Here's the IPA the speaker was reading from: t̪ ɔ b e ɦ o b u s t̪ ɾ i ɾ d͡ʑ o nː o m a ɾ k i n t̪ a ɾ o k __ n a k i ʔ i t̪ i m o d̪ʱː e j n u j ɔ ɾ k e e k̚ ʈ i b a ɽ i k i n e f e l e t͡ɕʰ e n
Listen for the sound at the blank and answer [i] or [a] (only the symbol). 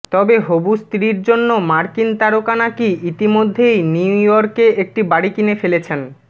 a